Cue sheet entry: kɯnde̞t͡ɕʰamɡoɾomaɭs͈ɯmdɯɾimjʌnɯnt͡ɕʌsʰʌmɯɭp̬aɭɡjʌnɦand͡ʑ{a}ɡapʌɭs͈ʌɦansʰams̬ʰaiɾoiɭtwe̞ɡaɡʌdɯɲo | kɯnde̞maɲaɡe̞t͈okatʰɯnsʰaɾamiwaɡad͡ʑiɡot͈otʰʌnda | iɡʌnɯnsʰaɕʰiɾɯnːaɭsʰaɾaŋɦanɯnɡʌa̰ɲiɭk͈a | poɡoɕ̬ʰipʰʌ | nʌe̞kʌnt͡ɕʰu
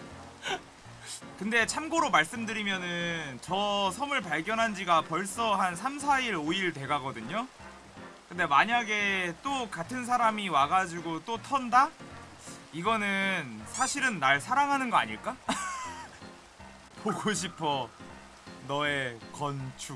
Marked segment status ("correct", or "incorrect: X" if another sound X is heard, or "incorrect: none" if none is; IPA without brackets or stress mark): incorrect: i